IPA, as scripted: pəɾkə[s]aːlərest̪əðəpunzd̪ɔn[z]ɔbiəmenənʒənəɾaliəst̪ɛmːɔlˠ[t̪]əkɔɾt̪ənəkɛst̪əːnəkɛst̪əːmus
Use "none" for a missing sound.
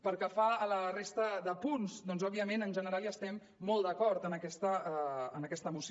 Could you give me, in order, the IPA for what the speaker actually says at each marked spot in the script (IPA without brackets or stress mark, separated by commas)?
f, z, d̪